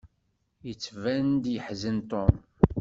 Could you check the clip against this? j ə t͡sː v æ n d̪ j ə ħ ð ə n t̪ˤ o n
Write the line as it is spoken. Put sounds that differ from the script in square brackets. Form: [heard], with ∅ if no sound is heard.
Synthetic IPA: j ə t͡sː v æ n d̪ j ə ħ [z] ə n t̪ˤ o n

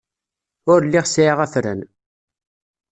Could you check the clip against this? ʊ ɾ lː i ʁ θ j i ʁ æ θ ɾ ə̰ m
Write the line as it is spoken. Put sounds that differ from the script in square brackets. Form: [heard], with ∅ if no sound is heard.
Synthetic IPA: ʊ ɾ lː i ʁ [s] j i ʁ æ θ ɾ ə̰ [n]

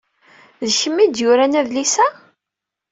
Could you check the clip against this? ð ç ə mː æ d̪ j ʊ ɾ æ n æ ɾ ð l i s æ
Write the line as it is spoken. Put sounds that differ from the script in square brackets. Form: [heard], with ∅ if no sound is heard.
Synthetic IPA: ð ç ə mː [i] d̪ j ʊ ɾ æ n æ [∅] ð l i s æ

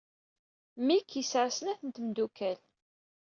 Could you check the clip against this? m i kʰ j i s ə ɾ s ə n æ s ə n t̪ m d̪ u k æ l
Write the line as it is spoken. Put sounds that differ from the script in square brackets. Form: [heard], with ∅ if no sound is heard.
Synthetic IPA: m i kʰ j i s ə ɾ s ə n æ [θ] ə n t̪ m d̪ u k æ l

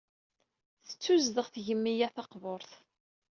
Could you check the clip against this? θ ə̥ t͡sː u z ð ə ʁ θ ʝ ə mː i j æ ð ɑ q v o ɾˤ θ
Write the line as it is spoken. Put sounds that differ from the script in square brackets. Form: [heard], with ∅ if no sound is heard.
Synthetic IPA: θ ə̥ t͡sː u z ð ə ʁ θ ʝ ə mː i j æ [θ] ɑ q v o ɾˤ θ

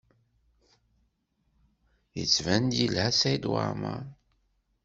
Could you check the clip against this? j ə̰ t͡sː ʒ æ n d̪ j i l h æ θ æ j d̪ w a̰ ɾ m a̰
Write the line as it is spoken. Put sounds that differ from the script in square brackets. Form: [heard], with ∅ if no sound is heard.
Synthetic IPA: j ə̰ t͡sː [v] æ n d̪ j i l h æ [s] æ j d̪ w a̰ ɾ m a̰

